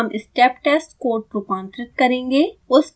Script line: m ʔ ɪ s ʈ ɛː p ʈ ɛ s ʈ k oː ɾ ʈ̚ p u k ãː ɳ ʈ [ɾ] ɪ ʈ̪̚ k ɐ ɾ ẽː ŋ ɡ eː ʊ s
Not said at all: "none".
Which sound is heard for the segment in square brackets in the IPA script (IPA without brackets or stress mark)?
ɾ